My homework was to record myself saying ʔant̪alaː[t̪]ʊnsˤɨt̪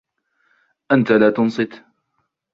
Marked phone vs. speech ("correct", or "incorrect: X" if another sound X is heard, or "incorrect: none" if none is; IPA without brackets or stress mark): correct